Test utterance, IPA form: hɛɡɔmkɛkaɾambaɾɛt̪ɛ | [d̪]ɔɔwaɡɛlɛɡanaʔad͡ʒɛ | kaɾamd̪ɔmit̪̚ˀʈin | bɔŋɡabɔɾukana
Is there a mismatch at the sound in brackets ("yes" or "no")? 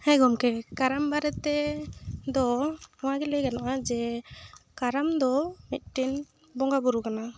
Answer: no